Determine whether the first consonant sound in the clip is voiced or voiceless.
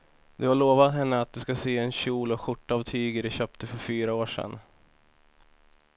voiced